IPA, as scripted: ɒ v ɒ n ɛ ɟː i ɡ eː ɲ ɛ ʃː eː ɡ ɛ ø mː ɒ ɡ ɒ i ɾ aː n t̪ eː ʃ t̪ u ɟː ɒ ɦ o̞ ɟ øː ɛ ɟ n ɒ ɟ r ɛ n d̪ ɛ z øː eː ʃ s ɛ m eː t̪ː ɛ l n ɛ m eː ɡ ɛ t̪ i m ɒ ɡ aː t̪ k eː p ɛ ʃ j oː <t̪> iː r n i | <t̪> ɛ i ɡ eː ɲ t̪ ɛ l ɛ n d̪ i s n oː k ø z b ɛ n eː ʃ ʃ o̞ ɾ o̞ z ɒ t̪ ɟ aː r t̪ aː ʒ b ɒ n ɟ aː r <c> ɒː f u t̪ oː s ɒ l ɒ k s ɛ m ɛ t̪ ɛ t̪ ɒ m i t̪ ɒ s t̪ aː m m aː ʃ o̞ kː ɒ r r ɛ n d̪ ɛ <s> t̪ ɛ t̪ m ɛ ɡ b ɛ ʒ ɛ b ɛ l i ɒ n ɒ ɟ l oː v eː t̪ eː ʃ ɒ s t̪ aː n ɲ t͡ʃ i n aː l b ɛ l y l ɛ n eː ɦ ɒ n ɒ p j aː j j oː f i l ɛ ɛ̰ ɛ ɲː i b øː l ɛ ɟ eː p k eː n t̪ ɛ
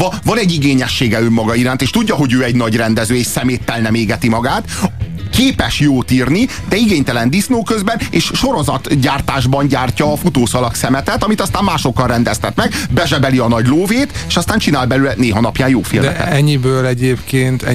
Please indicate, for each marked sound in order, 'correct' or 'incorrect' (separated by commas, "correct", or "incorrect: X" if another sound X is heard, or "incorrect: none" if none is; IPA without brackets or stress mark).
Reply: correct, incorrect: d̪, correct, correct